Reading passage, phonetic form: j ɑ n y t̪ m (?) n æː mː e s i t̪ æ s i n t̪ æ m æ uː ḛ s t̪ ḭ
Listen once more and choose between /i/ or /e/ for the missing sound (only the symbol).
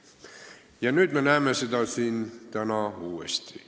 e